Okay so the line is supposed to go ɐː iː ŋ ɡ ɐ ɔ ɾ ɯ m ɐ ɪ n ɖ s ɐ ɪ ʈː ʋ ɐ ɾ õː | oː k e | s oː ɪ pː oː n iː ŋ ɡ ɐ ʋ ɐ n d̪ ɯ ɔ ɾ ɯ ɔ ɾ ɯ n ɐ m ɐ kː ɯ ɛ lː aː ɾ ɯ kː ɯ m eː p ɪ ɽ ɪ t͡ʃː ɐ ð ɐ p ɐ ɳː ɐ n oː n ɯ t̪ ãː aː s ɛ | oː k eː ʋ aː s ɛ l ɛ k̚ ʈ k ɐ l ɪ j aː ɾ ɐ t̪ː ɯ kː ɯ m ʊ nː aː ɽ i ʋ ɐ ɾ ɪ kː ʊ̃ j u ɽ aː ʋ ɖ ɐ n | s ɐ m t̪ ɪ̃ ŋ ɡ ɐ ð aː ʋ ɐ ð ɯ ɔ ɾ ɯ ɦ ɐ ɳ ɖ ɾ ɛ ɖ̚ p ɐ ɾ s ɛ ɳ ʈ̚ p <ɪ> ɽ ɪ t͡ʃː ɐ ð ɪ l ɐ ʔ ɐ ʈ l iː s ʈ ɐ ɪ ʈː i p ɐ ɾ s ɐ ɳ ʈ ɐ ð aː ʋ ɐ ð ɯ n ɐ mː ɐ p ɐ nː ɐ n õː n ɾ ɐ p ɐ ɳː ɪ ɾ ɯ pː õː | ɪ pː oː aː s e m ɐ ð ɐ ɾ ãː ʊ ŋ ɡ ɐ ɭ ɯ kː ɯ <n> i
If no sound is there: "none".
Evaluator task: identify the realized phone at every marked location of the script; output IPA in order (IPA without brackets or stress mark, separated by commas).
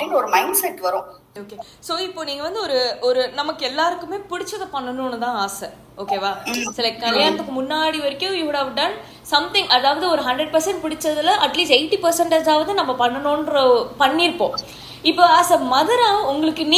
ɪ, n